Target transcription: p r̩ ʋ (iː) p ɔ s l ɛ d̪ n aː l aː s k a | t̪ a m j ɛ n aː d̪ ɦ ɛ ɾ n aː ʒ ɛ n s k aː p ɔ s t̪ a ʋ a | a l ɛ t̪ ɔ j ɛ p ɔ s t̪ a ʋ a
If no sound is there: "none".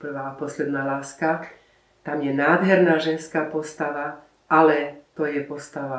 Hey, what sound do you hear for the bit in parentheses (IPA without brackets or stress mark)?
aː